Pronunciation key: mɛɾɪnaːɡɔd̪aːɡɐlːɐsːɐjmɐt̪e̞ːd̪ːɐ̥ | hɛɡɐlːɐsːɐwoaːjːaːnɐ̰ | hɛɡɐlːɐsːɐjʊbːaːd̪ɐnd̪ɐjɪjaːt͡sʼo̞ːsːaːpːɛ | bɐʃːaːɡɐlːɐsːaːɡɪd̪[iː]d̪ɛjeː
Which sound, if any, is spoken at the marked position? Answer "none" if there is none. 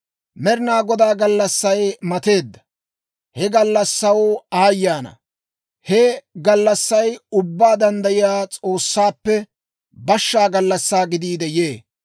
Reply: iː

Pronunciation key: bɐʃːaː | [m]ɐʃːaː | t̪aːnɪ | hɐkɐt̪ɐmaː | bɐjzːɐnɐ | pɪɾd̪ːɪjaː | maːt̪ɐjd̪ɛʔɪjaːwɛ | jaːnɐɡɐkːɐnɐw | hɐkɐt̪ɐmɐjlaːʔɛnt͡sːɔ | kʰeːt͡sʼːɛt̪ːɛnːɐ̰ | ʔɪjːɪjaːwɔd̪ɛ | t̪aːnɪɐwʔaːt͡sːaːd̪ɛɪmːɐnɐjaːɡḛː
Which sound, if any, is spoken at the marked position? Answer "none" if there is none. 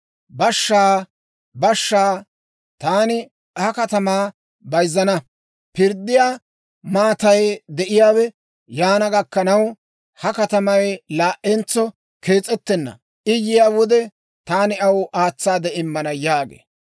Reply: b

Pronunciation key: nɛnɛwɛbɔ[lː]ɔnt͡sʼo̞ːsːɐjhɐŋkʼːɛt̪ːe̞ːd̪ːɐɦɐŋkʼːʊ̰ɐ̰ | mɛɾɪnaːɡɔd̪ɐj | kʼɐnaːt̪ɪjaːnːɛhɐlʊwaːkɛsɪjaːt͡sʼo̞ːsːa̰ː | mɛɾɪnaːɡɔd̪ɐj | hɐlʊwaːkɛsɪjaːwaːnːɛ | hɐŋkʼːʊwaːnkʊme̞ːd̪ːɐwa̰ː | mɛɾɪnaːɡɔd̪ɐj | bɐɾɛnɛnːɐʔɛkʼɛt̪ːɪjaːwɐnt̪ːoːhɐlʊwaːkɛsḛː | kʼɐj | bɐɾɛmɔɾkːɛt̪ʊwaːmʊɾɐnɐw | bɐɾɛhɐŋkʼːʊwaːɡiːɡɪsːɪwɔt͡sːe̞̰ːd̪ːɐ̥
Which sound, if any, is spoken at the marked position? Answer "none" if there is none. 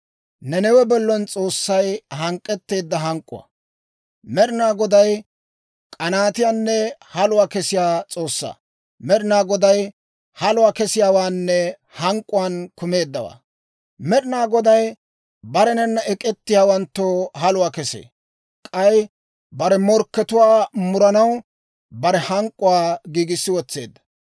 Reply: lː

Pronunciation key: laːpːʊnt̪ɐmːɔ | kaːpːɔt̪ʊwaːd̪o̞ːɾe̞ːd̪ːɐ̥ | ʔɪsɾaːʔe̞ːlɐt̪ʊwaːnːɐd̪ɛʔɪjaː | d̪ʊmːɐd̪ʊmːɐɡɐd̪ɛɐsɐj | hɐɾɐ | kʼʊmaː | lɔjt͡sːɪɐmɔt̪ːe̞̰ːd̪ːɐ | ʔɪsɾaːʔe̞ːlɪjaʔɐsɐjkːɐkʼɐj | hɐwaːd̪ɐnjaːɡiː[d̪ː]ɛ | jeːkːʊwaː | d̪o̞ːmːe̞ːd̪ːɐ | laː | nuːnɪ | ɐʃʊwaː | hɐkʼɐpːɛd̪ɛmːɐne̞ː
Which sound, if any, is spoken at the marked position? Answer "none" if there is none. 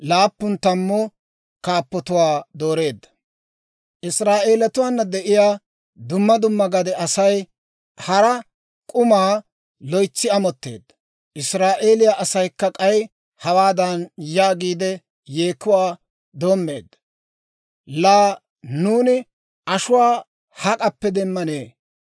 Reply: d̪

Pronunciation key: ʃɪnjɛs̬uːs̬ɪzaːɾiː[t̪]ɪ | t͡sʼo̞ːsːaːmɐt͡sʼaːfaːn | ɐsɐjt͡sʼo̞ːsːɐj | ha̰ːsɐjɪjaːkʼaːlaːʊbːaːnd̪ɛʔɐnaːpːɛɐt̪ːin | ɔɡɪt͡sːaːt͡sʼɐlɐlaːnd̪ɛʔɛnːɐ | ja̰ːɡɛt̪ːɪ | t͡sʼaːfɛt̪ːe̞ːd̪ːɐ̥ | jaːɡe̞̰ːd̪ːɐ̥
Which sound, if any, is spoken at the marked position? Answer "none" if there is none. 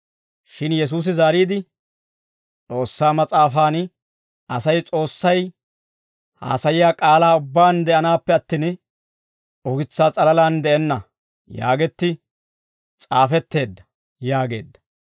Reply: d̪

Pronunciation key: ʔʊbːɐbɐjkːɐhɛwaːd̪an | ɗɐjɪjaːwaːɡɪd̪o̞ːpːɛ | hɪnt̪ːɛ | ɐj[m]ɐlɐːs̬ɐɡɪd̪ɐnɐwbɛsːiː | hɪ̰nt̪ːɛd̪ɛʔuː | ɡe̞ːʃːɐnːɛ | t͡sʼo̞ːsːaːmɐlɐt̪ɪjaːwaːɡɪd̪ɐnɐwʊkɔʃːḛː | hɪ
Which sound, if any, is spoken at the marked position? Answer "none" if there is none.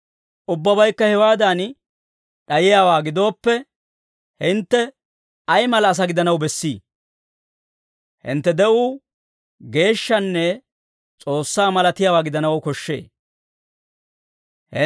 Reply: m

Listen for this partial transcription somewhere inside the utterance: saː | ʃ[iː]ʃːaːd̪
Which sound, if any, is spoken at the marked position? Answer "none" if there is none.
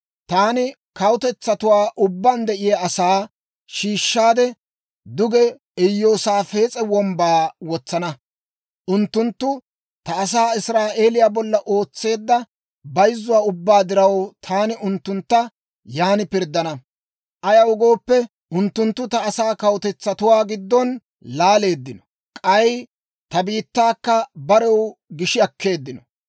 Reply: iː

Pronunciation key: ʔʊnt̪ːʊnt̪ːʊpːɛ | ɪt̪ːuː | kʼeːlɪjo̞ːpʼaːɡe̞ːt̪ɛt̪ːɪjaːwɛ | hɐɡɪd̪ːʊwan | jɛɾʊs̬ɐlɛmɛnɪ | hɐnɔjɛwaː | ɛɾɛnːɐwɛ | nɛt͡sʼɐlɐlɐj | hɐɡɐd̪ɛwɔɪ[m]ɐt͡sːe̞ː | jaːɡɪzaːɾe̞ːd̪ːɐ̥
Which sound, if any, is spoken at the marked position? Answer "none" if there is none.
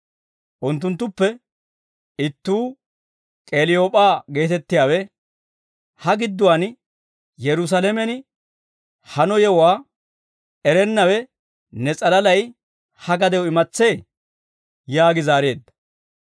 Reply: m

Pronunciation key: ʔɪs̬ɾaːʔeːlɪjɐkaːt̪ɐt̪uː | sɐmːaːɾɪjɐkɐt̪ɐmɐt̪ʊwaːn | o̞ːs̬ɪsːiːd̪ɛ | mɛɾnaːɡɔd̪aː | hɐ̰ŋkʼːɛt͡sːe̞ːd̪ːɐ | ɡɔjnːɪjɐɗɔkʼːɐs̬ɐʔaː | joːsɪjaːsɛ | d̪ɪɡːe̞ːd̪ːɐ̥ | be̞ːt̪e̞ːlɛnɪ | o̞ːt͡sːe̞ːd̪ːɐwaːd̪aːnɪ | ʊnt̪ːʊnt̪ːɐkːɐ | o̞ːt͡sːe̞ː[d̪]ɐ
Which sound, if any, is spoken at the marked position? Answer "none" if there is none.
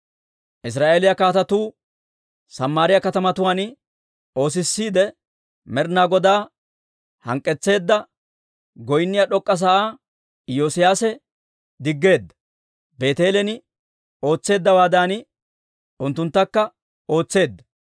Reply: d̪ː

